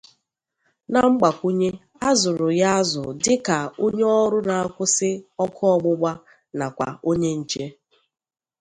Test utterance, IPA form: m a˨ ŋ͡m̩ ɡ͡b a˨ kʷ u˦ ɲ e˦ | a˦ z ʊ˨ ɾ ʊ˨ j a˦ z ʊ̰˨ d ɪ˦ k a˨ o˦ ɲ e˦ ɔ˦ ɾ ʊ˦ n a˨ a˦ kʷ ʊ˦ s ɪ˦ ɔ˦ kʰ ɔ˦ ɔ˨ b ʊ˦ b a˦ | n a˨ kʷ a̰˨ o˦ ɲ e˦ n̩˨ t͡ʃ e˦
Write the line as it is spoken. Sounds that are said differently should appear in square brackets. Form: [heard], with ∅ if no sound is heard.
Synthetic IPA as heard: [n] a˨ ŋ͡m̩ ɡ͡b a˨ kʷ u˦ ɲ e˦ | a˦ z ʊ˨ ɾ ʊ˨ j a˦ z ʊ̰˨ d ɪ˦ k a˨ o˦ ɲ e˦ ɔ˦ ɾ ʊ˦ n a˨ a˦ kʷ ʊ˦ s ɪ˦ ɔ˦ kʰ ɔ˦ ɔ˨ [ɡ͡b] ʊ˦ [ɡ͡b] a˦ | n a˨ kʷ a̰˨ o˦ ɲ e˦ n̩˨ t͡ʃ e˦

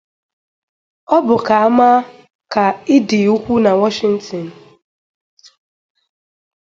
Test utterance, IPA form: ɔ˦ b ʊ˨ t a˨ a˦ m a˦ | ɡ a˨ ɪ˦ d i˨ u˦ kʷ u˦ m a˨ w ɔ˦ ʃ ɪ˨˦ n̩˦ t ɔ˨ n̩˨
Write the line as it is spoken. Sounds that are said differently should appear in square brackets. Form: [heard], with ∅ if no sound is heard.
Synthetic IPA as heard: ɔ˦ b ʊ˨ [k] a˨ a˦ m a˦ | [k] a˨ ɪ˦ d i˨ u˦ kʷ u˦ [n] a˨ w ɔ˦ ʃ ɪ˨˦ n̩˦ t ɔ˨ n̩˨

